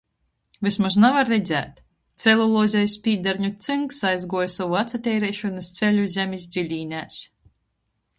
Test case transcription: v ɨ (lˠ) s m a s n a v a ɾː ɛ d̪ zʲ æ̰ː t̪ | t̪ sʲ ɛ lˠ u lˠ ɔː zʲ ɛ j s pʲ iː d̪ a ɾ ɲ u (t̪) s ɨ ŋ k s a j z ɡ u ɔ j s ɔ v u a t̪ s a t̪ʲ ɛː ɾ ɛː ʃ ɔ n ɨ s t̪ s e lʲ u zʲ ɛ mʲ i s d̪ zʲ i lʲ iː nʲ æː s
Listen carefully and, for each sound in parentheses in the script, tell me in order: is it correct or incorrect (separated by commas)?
incorrect, correct